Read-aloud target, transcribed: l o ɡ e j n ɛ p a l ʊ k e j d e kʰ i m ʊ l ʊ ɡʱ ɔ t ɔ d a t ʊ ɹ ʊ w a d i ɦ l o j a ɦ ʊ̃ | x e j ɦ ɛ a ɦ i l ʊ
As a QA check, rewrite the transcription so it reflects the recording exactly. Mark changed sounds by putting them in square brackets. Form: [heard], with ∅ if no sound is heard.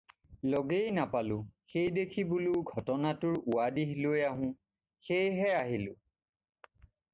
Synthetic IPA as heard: l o ɡ e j n [a] p a l ʊ [x] e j d e kʰ i [b] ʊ l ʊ ɡʱ ɔ t ɔ [n] a t ʊ ɹ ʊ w a d i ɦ l o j a ɦ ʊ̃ | x e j ɦ ɛ a ɦ i l ʊ